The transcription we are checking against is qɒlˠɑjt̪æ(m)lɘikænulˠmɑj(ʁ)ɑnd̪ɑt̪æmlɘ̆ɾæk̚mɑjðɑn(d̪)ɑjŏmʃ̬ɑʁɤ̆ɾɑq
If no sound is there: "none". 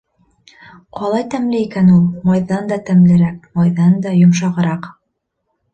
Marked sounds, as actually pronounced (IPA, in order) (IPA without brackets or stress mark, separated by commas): m, ð, d̪